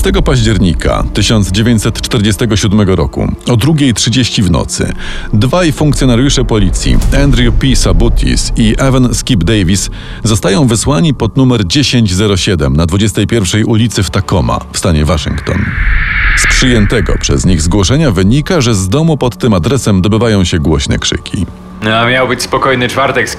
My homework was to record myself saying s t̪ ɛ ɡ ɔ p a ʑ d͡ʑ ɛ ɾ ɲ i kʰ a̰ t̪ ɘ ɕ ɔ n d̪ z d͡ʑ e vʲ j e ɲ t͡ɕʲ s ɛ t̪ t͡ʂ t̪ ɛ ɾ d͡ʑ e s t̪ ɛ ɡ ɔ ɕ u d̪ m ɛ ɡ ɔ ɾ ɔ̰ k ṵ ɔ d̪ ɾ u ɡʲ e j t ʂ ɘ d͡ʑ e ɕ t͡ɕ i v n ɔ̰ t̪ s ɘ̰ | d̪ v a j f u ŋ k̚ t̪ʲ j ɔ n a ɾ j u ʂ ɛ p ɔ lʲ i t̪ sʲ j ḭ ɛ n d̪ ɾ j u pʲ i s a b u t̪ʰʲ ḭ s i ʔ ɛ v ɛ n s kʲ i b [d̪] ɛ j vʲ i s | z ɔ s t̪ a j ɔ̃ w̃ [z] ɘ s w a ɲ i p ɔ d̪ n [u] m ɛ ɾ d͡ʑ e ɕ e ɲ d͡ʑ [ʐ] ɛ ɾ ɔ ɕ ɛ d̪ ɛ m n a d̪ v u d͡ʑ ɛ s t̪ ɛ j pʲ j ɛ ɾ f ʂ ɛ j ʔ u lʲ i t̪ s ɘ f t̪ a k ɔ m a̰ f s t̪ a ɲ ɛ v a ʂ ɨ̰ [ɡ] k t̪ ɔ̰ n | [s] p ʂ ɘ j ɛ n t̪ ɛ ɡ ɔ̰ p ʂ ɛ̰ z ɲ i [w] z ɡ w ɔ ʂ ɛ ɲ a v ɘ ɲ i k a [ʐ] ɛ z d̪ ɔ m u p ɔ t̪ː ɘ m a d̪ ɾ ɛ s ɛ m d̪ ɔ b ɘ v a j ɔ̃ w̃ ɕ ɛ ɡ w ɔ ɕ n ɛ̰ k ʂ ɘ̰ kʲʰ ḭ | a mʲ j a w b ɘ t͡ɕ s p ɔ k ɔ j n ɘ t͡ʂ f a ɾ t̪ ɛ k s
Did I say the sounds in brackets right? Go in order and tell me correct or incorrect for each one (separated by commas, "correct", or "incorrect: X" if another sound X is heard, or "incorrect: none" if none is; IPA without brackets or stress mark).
correct, incorrect: v, correct, incorrect: z, incorrect: ŋ, correct, incorrect: ɣ, correct